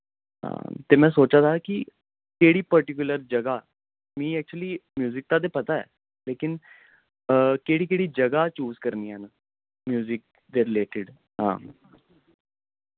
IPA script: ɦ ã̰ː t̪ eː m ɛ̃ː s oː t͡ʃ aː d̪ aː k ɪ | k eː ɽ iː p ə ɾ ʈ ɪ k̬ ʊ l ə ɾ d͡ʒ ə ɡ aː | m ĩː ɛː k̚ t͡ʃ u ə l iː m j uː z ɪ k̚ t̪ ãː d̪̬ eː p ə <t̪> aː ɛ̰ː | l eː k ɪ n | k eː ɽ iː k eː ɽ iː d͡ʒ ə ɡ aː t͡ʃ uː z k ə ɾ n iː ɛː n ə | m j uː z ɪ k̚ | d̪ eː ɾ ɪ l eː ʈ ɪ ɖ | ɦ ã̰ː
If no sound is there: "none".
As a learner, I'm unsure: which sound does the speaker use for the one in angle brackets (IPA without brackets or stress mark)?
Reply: t̪